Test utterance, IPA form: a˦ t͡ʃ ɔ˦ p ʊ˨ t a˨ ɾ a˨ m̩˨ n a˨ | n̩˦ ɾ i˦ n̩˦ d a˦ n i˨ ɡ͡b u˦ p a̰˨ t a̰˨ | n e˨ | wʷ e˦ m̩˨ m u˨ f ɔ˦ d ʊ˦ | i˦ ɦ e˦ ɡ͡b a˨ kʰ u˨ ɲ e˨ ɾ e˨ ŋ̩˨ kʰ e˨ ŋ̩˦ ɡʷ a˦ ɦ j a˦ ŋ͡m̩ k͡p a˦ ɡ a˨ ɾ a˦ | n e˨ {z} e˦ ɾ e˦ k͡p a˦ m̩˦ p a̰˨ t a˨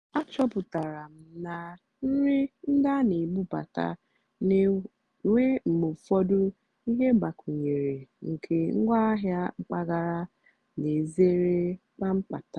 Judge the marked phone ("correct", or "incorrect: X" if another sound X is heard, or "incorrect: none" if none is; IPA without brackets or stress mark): correct